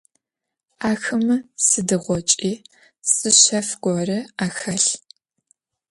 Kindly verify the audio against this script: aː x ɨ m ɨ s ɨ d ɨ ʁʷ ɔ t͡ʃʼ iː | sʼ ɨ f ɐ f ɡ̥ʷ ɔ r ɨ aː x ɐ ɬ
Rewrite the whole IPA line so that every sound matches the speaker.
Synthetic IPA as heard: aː x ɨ m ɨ s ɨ d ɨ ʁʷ ɔ t͡ʃʼ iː | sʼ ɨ ɕ ɐ f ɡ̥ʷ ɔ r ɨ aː x ɐ ɬ